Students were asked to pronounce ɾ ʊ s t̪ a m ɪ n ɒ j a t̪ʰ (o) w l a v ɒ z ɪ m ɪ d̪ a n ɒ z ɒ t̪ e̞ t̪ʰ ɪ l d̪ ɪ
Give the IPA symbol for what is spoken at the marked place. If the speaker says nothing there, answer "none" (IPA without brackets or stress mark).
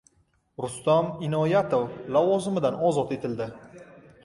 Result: o